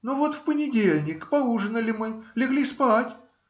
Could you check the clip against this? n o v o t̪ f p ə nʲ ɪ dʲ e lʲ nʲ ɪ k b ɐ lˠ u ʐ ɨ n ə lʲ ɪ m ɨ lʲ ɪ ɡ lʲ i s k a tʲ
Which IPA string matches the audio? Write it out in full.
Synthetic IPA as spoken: n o v o t̪ f p ə nʲ ɪ dʲ e lʲ nʲ ɪ k p ɐ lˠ u ʐ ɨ n ə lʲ ɪ m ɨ lʲ ɪ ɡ lʲ i s p a tʲ